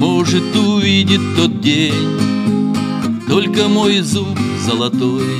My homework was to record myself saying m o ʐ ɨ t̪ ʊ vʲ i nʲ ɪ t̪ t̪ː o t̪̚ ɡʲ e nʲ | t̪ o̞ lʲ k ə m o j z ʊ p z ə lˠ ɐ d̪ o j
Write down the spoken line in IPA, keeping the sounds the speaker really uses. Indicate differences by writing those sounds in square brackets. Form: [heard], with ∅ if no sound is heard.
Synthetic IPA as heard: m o ʐ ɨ t̪ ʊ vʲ i [dʲ] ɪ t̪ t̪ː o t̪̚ [dʲ] e nʲ | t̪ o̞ lʲ k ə m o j z [u] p z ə lˠ ɐ [t̪] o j